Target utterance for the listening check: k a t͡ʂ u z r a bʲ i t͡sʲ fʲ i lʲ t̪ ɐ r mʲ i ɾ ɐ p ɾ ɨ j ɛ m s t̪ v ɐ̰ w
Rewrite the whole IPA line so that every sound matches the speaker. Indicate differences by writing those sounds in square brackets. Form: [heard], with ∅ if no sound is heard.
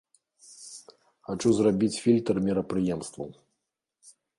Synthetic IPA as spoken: [x] a t͡ʂ u z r a bʲ i t͡sʲ fʲ i lʲ t̪ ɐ r mʲ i ɾ ɐ p ɾ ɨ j ɛ m s t̪ v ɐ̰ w